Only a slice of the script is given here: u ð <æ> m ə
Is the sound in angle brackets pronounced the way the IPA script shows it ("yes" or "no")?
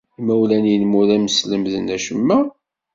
yes